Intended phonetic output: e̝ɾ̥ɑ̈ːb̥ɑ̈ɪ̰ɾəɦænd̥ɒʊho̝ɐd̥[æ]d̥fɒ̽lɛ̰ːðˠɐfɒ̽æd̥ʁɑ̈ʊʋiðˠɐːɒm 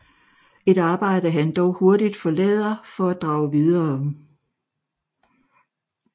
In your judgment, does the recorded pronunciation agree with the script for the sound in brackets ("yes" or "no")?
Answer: no